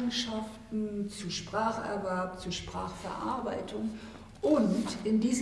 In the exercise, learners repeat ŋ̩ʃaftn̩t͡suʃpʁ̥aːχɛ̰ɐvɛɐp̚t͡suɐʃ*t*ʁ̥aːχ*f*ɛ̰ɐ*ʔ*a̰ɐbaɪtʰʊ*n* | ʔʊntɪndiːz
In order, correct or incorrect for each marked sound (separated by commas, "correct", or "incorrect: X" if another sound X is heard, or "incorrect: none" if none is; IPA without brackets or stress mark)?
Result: incorrect: p, correct, correct, incorrect: ŋ